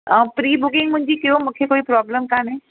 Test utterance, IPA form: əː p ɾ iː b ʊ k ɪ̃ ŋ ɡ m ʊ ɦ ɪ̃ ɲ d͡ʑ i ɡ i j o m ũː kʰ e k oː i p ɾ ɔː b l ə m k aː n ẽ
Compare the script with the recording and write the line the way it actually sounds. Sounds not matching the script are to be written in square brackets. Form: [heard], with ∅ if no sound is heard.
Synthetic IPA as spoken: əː p ɾ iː b ʊ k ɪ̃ ŋ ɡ m [ʊ̃] ɦ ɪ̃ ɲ d͡ʑ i [k] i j o m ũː kʰ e k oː i p ɾ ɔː b l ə m k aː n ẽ